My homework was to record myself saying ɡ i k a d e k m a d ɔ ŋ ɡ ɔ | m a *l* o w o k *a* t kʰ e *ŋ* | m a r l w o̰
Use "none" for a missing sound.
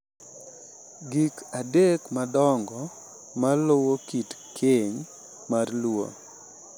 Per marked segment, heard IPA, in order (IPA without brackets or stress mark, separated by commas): l, i, ɲ